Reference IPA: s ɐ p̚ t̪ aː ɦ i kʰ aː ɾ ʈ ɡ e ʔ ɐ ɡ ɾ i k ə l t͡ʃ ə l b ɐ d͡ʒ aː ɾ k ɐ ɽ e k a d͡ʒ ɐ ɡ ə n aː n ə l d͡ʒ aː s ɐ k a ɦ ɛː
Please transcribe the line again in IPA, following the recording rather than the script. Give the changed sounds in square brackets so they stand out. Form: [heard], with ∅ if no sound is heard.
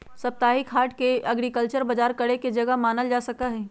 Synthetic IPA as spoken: s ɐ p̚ t̪ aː ɦ i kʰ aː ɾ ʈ [k] e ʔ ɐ ɡ ɾ i k ə l t͡ʃ ə [ɾ] b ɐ d͡ʒ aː ɾ k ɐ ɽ e k [e] d͡ʒ ɐ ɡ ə [m] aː n ə l d͡ʒ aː s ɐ k a ɦ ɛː